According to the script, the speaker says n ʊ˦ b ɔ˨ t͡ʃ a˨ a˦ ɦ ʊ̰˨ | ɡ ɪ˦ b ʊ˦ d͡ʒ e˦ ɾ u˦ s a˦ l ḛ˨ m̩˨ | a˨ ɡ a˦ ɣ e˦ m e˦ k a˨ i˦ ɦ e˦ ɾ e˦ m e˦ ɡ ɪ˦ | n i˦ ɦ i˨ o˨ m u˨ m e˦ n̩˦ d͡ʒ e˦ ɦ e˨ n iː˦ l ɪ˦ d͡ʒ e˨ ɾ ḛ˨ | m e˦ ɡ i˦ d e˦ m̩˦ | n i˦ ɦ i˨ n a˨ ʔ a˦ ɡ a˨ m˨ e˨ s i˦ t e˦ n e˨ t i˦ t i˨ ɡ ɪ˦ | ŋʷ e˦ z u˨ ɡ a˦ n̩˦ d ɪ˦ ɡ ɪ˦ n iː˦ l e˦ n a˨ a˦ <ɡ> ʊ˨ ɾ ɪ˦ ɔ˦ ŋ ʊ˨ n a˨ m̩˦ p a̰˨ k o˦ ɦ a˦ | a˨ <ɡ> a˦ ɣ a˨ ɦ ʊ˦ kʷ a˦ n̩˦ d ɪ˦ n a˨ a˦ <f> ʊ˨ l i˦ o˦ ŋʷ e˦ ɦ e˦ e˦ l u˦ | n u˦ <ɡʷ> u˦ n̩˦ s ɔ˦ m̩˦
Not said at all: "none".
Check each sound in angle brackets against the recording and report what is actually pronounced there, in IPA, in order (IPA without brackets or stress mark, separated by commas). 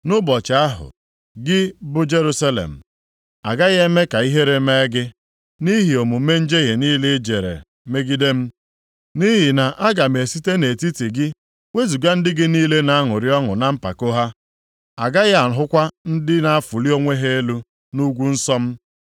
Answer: ŋ, ɡ, f, ɡʷ